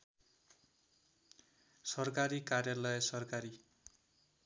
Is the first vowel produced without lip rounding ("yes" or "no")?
yes